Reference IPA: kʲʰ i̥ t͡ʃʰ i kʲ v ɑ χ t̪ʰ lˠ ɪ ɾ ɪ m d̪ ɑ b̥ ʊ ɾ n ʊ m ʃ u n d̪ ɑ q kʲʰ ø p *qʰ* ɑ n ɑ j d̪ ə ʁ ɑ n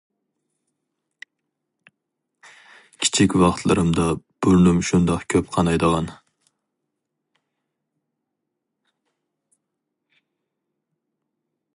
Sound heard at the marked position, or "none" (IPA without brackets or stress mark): qʰ